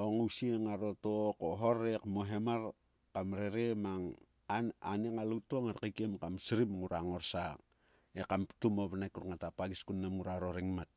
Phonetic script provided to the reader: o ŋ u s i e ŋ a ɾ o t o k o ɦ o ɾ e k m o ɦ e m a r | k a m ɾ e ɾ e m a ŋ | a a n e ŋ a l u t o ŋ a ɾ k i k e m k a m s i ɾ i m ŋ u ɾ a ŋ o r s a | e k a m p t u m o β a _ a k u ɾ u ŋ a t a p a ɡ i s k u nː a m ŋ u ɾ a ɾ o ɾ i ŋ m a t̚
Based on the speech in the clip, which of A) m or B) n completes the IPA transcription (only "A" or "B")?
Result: B